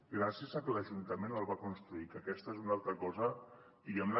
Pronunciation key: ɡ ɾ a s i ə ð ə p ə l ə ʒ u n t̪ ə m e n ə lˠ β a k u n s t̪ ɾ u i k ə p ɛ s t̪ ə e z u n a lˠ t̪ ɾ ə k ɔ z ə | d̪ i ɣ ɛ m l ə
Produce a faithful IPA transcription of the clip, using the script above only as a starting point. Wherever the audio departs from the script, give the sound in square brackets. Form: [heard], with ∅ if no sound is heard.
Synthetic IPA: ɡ ɾ a s i ə [z] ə [k] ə l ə ʒ u n t̪ ə m e n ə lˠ β a k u n s t̪ ɾ u i k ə [k] ɛ s t̪ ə e z u n a lˠ t̪ ɾ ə k ɔ z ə | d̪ i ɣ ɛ m l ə